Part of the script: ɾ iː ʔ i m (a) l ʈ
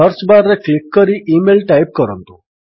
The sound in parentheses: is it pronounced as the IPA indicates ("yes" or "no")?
no